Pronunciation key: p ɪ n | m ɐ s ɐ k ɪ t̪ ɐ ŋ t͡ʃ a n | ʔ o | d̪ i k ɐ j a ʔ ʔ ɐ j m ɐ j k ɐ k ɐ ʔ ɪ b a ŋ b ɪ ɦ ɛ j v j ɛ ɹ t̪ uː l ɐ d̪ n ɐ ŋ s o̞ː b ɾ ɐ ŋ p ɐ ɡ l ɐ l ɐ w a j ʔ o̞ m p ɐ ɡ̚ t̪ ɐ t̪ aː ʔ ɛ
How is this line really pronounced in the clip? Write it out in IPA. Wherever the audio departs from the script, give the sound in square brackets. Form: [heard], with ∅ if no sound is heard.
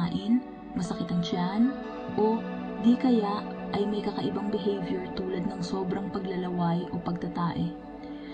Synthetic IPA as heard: [ʔ] ɪ n | m ɐ s ɐ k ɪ t̪ ɐ ŋ t͡ʃ a n | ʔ o | d̪ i k ɐ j a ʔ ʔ ɐ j m ɐ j k ɐ k ɐ ʔ ɪ b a ŋ b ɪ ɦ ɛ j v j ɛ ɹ t̪ uː l ɐ d̪ n ɐ ŋ s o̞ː b ɾ ɐ ŋ p ɐ ɡ l ɐ l ɐ w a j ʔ o̞ [∅] p ɐ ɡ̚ t̪ ɐ t̪ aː ʔ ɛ